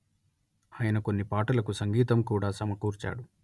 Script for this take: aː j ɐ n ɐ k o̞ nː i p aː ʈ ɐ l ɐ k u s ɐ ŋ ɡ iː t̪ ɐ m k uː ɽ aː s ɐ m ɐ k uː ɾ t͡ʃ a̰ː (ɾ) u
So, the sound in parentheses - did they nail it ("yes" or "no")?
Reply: no